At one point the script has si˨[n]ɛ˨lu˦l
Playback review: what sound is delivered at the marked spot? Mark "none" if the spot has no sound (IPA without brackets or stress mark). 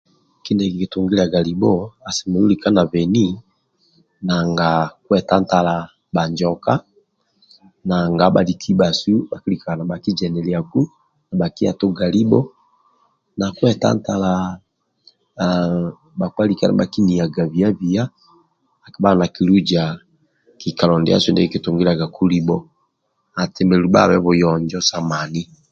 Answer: m